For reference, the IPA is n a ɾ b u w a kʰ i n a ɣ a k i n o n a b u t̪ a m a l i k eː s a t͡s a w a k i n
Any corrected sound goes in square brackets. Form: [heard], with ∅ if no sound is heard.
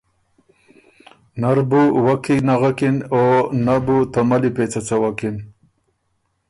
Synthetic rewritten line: n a ɾ b u w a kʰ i n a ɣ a k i n o n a b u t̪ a m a l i [p] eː [t͡s] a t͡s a w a k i n